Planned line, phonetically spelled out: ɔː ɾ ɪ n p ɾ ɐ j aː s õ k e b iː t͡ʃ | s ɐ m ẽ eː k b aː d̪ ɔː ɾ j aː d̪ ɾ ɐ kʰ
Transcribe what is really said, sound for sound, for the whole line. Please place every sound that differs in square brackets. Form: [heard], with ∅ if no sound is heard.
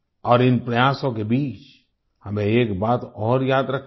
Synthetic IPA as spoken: ɔː ɾ ɪ n p ɾ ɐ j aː s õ k e b iː t͡ʃ | [h] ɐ m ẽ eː k b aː [t̪] ɔː ɾ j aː d̪ ɾ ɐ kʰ